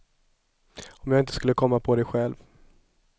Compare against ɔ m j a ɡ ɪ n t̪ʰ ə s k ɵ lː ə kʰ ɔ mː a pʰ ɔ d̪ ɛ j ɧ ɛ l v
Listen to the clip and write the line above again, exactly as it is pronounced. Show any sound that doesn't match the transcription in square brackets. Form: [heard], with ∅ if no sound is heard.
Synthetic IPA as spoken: ɔ m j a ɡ ɪ n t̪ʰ ə s k ɵ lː ə kʰ ɔ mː a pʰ ɔ d̪ ɛ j ɧ ɛ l v